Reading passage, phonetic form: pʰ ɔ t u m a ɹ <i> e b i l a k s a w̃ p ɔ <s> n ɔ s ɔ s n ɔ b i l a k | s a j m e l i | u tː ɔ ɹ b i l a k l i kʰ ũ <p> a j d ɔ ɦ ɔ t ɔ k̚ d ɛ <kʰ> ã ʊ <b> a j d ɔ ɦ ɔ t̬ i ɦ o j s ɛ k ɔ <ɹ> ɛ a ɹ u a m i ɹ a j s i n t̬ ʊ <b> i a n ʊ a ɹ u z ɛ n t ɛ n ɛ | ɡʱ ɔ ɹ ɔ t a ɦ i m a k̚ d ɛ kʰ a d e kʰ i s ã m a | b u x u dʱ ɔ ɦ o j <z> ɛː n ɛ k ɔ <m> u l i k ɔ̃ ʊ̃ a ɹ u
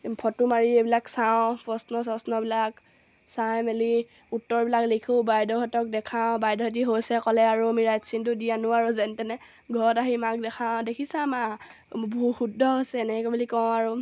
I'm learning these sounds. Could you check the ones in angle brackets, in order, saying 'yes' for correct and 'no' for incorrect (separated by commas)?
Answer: yes, yes, no, yes, yes, no, no, no, no